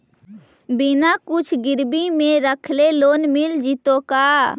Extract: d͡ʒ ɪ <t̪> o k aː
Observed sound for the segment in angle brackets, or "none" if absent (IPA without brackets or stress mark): t̪